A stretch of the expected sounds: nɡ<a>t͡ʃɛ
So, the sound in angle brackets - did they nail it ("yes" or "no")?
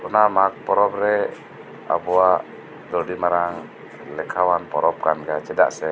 yes